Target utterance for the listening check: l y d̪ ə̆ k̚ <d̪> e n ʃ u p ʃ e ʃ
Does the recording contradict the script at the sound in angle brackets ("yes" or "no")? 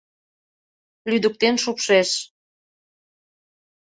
yes